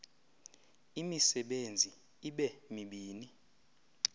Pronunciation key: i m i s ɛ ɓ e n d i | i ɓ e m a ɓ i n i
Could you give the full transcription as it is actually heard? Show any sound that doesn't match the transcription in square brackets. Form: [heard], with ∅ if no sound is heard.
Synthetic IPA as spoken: i m i s ɛ ɓ e n [d͡zʱ] i | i ɓ [ɛ] m [i] ɓ [iː] n i